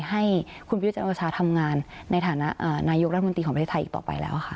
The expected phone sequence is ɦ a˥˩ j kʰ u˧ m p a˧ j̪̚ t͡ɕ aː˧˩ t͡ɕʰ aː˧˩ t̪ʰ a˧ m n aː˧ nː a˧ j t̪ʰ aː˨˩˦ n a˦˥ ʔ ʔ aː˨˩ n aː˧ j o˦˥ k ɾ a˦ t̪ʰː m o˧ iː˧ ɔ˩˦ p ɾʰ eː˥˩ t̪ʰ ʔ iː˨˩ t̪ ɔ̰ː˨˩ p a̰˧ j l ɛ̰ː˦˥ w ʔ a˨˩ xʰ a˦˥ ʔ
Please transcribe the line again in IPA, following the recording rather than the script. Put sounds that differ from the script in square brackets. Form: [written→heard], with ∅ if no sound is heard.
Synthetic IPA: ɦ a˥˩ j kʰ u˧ [m→n] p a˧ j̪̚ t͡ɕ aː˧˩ t͡ɕʰ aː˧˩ t̪ʰ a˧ m [n→ŋ] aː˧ nː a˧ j t̪ʰ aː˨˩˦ n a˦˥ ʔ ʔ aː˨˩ n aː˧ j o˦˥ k ɾ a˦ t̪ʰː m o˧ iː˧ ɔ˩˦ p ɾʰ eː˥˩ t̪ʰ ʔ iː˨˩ t̪ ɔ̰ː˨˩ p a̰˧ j l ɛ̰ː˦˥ w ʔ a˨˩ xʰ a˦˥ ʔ